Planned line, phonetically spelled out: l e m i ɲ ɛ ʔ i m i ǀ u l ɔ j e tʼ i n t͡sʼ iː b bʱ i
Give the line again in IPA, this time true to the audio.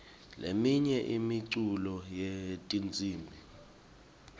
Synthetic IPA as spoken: l e m i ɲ ɛ ʔ i m i ǀ u l ɔ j e tʼ i n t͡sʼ iː m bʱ i